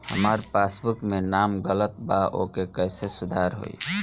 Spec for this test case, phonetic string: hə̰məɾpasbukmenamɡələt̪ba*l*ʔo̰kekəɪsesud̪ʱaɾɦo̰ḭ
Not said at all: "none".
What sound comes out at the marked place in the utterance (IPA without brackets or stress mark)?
none